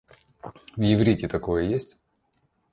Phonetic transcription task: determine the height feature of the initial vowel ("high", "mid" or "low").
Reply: high